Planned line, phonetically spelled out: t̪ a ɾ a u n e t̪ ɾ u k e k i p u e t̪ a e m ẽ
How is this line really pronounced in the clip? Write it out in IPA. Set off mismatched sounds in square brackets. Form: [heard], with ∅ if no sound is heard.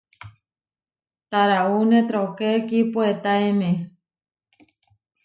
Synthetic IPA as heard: t̪ a ɾ a u n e t̪ ɾ [o] k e k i p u e t̪ a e m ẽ